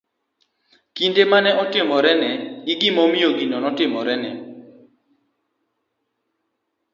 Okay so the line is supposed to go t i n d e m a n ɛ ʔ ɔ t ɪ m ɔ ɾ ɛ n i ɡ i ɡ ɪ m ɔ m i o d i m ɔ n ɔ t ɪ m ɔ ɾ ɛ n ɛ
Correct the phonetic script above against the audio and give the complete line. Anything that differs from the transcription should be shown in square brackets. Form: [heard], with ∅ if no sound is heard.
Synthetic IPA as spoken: [k] i n d e m a n ɛ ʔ ɔ t ɪ m ɔ ɾ ɛ n [ɛ] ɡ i ɡ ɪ m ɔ m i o [ɡ] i [n] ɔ n ɔ t ɪ m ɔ ɾ ɛ n ɛ